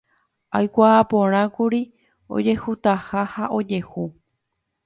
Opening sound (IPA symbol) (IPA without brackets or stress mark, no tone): a